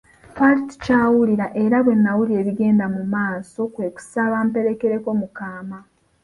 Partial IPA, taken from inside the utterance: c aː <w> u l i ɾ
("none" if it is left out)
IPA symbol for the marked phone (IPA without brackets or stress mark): w